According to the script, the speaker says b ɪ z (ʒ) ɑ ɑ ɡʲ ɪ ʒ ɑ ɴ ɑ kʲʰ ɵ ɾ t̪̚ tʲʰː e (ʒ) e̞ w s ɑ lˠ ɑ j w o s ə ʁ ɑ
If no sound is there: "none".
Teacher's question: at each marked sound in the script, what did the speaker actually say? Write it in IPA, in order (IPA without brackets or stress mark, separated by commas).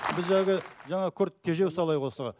ʒ, ʒ